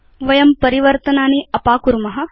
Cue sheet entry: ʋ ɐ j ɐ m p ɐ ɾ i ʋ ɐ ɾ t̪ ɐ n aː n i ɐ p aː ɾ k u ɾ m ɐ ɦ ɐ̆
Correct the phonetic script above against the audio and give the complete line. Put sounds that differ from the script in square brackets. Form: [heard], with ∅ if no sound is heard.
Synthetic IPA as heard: ʋ ɐ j ɐ m p ɐ ɾ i ʋ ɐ ɾ t̪ ɐ n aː n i ɐ p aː [∅] k u ɾ m ɐ ɦ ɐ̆